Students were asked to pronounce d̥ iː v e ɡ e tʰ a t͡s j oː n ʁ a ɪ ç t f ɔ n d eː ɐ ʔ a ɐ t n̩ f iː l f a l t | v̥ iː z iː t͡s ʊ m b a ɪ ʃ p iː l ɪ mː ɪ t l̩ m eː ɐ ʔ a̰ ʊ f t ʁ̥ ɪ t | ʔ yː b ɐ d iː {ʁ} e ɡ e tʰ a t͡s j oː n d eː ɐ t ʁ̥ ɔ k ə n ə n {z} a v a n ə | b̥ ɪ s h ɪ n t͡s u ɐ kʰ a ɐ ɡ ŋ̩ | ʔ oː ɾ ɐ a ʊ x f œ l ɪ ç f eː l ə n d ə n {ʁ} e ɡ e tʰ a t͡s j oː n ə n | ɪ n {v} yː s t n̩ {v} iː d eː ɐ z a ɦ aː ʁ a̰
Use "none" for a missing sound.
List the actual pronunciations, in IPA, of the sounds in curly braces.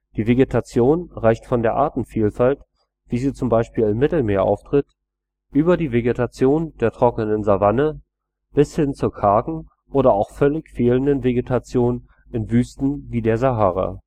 v, z, v, v, v

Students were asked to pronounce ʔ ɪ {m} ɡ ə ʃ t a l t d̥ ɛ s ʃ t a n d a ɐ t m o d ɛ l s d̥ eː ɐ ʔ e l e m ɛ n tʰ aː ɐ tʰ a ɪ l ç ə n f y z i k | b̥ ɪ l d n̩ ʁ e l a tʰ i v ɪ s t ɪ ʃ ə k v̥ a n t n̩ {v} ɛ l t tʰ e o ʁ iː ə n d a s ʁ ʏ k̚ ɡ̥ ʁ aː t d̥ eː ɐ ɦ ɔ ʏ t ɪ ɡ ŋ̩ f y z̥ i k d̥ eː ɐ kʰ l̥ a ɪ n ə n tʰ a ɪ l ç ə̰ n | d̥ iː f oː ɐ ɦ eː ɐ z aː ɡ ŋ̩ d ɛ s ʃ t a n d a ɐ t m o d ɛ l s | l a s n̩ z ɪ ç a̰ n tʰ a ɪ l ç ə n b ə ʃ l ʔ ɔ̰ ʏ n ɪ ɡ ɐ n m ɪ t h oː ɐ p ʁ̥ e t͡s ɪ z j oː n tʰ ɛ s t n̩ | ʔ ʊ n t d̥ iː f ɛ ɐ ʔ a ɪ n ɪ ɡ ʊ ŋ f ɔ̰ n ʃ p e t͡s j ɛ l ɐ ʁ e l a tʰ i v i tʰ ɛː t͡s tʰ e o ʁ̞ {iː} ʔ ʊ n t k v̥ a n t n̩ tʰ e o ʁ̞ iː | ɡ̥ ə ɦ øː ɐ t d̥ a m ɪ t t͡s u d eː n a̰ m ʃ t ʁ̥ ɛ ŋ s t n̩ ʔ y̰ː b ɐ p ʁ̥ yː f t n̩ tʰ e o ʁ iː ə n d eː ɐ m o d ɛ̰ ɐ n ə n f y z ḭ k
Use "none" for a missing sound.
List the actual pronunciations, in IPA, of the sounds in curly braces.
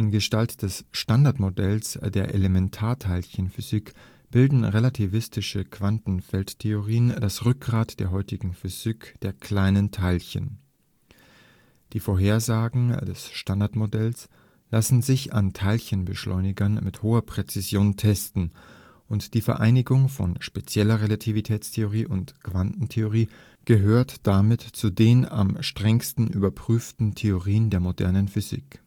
n, f, iː

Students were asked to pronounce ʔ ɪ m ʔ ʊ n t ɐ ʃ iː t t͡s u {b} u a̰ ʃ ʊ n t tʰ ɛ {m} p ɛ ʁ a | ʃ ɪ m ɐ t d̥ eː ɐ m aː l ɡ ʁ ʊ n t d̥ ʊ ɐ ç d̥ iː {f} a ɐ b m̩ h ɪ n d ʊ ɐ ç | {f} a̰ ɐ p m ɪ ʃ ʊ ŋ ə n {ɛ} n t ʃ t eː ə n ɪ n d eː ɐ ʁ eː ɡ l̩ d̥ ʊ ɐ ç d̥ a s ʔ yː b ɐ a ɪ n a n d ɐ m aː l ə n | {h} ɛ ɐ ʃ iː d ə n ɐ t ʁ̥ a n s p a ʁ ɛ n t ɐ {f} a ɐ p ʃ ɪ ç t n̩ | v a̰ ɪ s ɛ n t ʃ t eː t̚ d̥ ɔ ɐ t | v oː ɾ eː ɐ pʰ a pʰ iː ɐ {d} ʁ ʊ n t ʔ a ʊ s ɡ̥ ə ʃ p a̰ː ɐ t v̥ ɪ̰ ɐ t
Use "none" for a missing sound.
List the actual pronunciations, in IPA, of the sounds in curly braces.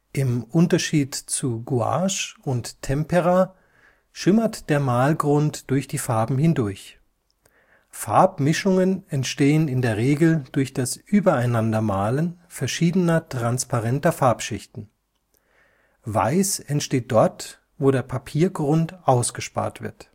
ɡ, m, f, f, ɛ, f, f, ɡ

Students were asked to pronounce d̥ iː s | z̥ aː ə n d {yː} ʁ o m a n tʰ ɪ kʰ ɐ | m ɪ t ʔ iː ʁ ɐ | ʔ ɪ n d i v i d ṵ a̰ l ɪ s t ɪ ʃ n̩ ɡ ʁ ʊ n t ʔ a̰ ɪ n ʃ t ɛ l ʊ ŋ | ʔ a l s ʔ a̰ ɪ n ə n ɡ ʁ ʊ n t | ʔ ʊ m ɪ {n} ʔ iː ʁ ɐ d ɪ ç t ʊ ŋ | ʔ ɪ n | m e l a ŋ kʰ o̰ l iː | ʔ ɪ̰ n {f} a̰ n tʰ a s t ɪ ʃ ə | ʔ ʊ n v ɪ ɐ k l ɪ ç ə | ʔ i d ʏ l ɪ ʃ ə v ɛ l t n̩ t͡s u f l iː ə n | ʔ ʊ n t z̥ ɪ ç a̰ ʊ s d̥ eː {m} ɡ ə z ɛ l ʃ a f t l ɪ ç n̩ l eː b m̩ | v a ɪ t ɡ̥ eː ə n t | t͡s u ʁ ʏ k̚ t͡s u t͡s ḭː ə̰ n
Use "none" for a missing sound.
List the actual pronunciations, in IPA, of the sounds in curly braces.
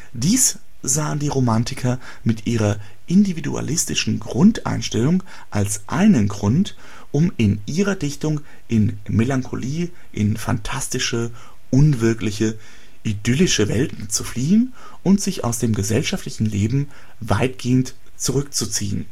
iː, n, f, m

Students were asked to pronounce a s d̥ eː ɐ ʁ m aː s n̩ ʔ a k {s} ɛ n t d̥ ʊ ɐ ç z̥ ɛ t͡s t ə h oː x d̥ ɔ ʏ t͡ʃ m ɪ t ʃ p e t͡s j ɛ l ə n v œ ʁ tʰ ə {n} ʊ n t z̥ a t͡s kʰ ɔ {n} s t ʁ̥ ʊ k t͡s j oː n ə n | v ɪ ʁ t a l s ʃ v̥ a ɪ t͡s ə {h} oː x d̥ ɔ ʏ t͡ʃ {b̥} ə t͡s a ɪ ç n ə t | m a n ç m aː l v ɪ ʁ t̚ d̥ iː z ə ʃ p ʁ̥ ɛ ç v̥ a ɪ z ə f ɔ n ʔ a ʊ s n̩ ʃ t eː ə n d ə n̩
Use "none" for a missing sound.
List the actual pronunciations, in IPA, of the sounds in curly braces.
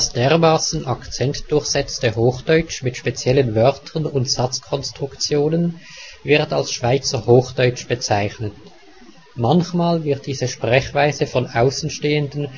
t͡s, n, n, h, b̥

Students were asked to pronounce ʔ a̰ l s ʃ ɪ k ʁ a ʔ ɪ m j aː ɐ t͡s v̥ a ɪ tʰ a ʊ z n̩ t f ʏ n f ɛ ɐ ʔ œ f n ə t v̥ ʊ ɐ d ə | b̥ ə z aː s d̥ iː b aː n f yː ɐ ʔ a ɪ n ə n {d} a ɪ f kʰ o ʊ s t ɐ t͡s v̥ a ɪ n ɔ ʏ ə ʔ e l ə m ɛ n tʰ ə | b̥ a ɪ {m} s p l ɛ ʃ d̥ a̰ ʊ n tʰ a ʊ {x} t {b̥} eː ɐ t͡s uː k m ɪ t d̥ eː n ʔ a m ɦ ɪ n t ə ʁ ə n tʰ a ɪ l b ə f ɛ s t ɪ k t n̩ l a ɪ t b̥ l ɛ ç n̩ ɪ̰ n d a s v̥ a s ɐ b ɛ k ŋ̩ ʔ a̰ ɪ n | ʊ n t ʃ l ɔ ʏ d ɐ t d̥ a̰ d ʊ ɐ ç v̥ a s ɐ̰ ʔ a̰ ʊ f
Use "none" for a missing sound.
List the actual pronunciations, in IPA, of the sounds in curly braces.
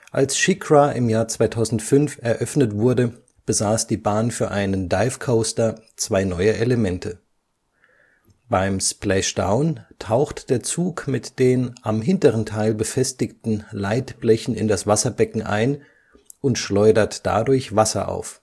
d, m, x, d̥

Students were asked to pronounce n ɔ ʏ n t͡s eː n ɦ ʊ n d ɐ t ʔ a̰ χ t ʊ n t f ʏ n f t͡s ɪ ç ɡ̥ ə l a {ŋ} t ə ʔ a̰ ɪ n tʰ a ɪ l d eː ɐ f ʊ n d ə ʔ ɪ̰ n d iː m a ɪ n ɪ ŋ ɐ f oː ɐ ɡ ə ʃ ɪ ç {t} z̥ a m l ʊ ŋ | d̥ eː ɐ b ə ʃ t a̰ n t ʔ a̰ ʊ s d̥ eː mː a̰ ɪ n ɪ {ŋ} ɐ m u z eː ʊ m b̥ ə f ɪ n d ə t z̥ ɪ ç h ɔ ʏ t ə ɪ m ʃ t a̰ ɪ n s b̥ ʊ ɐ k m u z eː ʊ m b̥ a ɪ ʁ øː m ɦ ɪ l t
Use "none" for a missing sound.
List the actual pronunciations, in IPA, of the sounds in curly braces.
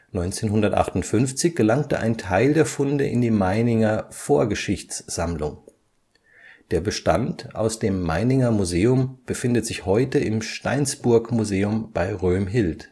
ŋ, t͡s, ŋ

